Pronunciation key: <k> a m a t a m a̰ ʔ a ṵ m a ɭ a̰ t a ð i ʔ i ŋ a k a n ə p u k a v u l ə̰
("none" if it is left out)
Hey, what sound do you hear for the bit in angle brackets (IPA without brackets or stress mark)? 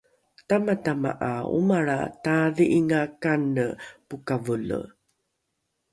t